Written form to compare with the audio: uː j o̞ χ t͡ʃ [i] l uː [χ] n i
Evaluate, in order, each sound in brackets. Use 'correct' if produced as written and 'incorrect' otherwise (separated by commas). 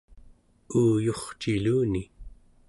correct, incorrect